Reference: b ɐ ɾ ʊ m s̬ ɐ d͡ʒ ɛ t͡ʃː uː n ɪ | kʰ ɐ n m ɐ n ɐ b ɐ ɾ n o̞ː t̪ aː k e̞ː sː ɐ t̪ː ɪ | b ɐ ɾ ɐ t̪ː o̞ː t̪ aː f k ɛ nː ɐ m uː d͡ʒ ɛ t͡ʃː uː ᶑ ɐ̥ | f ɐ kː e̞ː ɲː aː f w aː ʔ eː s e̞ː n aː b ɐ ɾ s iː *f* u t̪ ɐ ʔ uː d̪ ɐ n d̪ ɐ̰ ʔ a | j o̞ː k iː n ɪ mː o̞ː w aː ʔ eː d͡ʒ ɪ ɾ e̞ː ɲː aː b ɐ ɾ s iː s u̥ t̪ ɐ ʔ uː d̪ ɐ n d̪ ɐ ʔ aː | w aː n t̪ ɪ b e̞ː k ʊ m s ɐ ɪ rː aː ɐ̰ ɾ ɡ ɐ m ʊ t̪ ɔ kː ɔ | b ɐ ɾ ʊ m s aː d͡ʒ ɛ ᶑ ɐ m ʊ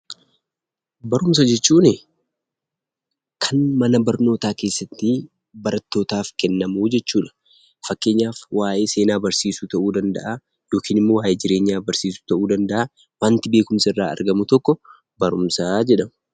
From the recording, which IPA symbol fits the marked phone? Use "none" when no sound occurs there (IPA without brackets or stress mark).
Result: s